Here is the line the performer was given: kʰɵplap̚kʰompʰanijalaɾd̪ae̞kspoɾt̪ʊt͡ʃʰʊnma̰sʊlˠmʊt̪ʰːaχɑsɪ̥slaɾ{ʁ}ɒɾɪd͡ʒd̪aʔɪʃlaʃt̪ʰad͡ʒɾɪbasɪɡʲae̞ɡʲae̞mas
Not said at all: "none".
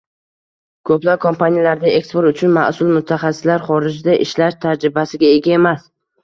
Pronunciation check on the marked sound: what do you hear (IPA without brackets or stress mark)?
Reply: χ